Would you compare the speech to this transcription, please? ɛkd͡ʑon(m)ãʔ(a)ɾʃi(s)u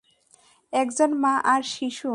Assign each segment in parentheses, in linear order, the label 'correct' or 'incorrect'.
correct, correct, incorrect: ʃ

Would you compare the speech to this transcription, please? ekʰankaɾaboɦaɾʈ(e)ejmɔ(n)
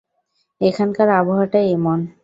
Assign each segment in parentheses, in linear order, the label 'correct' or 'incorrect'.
incorrect: a, correct

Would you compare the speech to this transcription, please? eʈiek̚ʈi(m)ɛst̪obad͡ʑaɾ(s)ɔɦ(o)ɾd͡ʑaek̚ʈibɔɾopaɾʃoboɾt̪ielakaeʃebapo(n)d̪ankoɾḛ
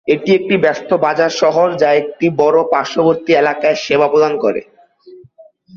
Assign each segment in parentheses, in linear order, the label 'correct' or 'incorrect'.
incorrect: b, incorrect: ʃ, correct, incorrect: none

